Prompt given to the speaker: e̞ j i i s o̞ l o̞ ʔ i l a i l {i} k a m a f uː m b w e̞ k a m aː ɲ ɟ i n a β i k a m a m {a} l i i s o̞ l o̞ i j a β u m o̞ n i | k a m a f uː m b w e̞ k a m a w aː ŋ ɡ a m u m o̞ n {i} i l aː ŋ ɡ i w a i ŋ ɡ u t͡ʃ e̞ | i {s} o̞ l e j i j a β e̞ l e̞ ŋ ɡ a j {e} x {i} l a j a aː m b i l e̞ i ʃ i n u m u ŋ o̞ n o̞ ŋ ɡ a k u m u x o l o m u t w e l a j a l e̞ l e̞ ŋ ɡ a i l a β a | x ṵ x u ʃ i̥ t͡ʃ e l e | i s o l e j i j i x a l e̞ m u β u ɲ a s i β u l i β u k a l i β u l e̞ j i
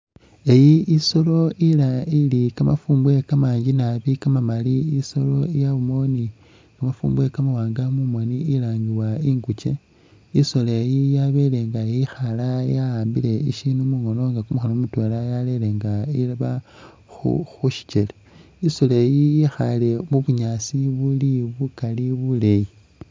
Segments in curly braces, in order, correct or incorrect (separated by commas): correct, correct, correct, correct, incorrect, incorrect